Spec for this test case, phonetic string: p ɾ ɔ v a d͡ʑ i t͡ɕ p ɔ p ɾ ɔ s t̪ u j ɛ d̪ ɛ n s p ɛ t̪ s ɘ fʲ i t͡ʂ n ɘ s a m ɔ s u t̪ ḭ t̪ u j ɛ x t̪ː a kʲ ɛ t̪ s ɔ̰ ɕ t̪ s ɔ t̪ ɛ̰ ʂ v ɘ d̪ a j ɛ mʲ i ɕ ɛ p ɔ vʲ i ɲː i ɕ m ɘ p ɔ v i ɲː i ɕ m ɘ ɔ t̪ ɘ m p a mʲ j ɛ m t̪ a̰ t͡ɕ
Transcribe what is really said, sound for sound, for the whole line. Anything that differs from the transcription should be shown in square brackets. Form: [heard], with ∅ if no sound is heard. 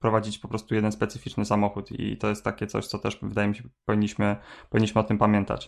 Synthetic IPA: p ɾ ɔ v a d͡ʑ i t͡ɕ p ɔ p ɾ ɔ s t̪ u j ɛ d̪ ɛ n s p ɛ t̪ s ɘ fʲ i t͡ʂ n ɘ s a m ɔ [x] u t̪ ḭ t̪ [ɔ] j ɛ [s] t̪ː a kʲ ɛ t̪ s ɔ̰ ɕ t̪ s ɔ t̪ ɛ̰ ʂ v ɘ d̪ a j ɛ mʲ i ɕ ɛ p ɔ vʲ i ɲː i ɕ m ɘ p ɔ v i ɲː i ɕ m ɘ ɔ t̪ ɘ m p a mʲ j ɛ [n] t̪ a̰ t͡ɕ